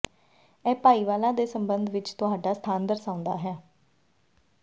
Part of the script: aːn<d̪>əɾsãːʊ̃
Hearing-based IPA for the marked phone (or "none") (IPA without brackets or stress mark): d̪